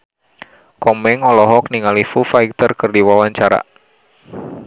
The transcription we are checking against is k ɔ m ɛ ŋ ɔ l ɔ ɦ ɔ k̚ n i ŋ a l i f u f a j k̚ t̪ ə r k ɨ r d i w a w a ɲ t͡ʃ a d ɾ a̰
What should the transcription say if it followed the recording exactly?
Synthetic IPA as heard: k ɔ m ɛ ŋ ɔ l ɔ ɦ ɔ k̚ n i ŋ a l i f u f a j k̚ t̪ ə r k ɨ r d i w a w a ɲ t͡ʃ a ɾ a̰